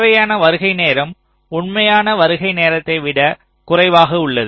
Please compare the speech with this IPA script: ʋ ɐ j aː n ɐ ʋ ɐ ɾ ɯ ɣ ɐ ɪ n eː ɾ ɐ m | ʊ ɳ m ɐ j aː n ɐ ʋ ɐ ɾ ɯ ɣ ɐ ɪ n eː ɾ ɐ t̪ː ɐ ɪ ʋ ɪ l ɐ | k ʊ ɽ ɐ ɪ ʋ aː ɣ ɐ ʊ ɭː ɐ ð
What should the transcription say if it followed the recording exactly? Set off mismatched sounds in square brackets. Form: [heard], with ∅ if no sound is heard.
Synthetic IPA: ʋ ɐ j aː n ɐ ʋ ɐ ɾ ɯ ɣ ɐ ɪ n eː ɾ ɐ m | ʊ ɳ m ɐ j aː n ɐ ʋ ɐ ɾ ɯ ɣ ɐ ɪ n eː ɾ ɐ t̪ː ɐ ɪ ʋ ɪ [ɽ] ɐ | k ʊ [r] ɐ ɪ ʋ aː ɣ ɐ ʊ ɭː ɐ ð